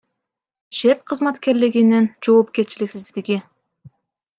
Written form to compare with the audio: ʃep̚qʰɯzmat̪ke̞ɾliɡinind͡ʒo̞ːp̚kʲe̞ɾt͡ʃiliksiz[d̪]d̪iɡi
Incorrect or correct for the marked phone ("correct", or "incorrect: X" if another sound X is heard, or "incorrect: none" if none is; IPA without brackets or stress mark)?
correct